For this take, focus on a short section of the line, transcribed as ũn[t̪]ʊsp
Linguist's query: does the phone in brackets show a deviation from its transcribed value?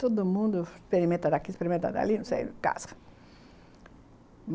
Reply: yes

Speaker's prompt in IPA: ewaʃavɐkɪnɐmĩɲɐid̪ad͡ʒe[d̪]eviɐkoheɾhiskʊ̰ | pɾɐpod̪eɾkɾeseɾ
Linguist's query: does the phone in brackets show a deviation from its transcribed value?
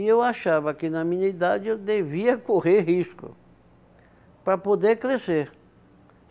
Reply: no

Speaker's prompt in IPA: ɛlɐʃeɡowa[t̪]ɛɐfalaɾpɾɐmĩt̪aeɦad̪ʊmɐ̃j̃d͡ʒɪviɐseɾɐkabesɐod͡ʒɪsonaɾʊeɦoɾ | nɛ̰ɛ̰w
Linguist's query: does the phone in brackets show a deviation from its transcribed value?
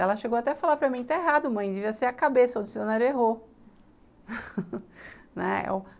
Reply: no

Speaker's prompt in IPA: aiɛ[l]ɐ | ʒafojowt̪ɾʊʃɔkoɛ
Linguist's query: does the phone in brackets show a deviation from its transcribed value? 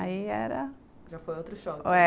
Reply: yes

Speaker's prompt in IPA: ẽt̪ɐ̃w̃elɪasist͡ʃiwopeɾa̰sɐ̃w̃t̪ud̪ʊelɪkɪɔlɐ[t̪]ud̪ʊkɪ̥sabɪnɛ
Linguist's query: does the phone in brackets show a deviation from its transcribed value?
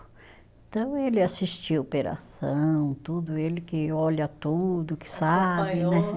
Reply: no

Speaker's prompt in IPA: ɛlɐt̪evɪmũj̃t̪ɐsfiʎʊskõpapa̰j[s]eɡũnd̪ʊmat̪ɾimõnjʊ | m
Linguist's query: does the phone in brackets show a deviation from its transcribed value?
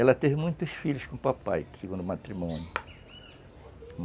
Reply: no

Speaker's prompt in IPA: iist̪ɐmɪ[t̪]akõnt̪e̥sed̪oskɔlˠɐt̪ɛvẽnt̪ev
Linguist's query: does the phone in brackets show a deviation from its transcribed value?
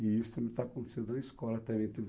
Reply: no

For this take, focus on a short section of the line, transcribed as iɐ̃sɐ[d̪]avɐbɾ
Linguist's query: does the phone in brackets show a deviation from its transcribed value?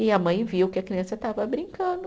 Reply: yes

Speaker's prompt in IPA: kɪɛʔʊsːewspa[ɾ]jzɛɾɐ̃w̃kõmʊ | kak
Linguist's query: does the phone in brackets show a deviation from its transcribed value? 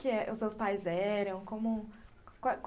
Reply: yes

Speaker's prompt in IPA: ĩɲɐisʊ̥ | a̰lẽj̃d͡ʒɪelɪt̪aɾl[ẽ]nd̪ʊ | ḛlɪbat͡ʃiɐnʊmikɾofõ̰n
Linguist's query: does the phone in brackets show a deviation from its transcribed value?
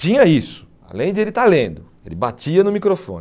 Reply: no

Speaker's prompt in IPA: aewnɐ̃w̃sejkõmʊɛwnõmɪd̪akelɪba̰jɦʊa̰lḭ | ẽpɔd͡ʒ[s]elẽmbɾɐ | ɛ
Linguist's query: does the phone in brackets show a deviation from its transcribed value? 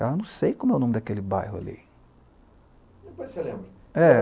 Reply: no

